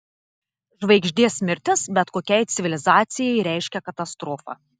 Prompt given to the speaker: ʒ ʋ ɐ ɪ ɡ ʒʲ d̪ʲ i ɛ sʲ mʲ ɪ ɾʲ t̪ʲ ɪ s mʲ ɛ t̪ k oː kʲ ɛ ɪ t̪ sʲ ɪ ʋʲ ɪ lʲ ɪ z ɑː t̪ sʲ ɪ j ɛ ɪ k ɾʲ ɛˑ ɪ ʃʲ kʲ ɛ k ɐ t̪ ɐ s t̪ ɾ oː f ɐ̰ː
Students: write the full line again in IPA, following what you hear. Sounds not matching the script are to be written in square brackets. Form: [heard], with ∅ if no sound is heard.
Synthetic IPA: ʒ ʋ ɐ ɪ ɡ ʒʲ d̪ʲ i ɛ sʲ mʲ ɪ ɾʲ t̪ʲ ɪ s [bʲ] ɛ t̪ k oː kʲ ɛ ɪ t̪ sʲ ɪ ʋʲ ɪ lʲ ɪ z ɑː t̪ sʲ ɪ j ɛ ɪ [∅] ɾʲ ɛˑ ɪ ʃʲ kʲ ɛ k ɐ t̪ ɐ s t̪ ɾ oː f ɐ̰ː